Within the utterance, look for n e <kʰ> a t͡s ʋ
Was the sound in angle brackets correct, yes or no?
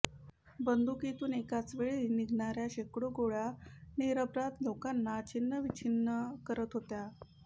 no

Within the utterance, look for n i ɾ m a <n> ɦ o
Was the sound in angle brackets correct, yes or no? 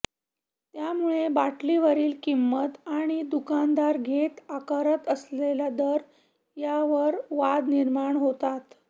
no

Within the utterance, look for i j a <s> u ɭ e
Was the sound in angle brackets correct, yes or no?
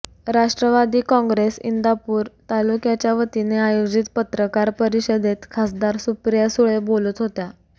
yes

